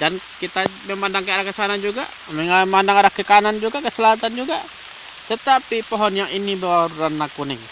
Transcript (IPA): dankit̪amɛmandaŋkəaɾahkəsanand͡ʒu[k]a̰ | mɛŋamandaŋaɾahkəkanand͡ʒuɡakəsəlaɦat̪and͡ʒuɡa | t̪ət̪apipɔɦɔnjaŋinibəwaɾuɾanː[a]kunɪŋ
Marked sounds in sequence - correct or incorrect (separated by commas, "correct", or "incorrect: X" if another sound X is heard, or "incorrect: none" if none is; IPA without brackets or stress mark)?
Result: incorrect: ɡ, correct